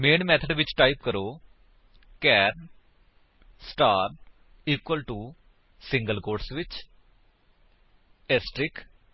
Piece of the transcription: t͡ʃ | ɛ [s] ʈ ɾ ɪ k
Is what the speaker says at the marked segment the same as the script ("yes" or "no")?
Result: yes